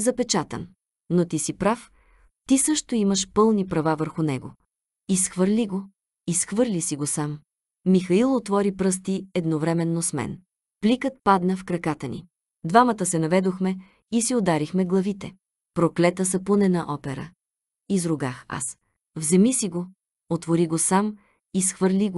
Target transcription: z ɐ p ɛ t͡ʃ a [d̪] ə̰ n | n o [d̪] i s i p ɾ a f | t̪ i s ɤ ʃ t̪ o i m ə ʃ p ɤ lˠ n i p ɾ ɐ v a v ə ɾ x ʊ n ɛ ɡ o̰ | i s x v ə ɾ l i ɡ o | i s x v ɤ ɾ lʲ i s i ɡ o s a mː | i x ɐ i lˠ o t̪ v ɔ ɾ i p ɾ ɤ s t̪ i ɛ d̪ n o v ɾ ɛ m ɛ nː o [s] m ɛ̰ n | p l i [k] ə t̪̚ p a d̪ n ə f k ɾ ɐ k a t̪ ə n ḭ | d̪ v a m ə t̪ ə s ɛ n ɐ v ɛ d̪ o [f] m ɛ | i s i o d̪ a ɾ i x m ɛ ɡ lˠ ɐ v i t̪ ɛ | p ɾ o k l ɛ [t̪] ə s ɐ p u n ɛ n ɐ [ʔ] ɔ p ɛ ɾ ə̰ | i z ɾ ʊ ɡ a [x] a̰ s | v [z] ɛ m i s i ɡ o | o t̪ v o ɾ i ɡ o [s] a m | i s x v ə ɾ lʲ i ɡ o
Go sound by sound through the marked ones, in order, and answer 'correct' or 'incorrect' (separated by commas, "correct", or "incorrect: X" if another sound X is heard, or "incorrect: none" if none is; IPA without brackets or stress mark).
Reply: incorrect: t̪, incorrect: t̪, correct, correct, incorrect: x, correct, correct, correct, correct, correct